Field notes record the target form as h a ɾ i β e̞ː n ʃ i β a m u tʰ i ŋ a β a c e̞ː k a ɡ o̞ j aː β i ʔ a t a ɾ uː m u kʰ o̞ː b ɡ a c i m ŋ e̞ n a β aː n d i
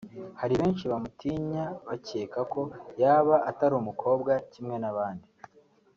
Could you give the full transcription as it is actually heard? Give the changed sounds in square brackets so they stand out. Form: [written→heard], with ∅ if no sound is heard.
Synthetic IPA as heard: h a ɾ i β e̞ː n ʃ i β a m u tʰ i [ŋ→ɲ] a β a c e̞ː k a [ɡ→k] o̞ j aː β [i→a] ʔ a t a ɾ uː m u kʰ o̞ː b ɡ a c i m ŋ e̞ n a β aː n d i